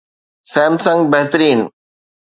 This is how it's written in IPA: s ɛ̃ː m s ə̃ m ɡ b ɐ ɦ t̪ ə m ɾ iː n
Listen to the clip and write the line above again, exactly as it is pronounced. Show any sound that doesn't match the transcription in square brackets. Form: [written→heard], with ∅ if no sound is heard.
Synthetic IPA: s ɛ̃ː m s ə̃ [m→ŋ] ɡ b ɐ ɦ t̪ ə [m→∅] ɾ iː n